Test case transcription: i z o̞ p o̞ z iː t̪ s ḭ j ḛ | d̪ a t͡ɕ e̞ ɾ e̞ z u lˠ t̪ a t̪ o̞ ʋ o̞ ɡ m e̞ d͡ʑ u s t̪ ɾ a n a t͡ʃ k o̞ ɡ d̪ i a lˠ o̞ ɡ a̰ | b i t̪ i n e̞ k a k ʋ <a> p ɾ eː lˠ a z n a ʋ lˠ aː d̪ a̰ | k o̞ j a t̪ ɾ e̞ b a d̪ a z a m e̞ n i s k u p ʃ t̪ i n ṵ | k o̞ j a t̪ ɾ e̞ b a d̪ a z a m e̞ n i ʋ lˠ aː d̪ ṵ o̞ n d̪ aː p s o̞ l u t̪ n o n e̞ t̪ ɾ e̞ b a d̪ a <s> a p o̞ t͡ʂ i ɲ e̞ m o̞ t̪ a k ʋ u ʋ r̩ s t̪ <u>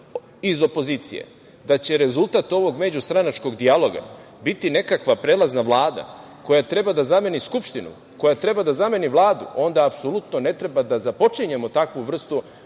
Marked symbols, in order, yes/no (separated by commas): yes, no, yes